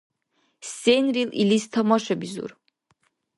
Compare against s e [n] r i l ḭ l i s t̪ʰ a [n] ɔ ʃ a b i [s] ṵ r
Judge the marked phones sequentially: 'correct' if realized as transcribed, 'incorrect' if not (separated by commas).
correct, incorrect, incorrect